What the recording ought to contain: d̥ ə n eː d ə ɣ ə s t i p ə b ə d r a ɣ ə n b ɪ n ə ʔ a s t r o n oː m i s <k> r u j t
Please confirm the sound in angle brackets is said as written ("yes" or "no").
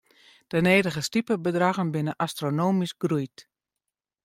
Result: no